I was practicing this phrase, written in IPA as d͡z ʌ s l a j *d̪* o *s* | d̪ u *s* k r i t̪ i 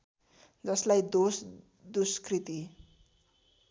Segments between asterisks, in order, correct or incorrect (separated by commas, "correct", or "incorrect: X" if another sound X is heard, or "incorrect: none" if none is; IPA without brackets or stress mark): correct, correct, correct